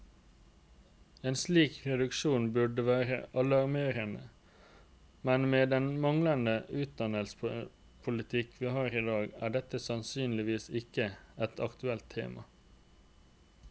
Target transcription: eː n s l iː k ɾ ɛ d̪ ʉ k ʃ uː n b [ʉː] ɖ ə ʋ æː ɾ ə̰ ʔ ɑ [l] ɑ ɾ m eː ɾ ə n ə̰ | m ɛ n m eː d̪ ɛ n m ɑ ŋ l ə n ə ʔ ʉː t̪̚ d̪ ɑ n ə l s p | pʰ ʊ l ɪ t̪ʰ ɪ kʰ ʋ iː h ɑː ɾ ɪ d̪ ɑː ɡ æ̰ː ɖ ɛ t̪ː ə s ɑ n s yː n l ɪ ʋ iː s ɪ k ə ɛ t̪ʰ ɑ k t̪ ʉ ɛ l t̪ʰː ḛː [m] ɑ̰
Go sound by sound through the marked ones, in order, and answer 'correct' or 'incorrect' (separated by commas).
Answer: incorrect, correct, correct